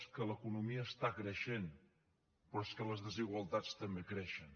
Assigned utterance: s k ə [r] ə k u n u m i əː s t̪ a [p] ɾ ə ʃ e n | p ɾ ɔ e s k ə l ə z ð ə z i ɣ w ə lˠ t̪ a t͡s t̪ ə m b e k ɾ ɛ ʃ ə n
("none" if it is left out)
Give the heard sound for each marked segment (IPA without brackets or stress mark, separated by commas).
l, k